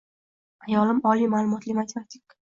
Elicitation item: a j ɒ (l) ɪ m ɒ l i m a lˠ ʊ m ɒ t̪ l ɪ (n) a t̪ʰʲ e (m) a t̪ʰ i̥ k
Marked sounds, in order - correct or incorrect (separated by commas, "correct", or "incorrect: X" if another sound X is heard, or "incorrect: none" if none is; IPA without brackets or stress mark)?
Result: correct, incorrect: m, correct